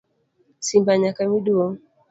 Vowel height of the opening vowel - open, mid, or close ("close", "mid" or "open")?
close